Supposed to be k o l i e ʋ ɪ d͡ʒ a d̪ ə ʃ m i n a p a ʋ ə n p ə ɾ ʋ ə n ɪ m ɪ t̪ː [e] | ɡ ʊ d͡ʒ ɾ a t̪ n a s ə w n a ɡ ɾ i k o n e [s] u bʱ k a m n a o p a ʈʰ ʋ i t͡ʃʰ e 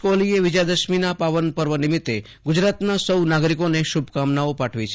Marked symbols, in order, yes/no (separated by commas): yes, no